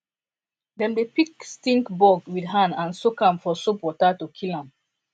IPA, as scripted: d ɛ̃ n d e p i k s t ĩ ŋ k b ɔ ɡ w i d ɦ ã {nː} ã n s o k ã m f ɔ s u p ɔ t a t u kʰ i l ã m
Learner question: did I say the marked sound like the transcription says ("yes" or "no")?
no